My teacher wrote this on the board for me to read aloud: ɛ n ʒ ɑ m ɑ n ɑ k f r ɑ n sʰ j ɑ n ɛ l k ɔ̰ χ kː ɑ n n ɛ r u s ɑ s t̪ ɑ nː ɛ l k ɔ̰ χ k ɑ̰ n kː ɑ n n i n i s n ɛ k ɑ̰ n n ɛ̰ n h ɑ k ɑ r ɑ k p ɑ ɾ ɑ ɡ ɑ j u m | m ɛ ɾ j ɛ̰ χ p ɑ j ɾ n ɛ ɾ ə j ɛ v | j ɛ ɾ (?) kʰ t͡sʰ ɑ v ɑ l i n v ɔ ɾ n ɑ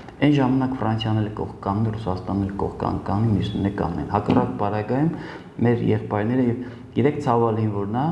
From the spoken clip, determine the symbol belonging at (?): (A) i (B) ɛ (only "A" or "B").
B